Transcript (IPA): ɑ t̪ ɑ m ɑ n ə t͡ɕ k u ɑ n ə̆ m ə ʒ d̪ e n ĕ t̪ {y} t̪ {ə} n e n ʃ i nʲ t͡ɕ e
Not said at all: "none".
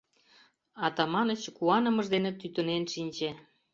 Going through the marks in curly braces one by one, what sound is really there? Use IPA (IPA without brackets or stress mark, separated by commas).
y, ə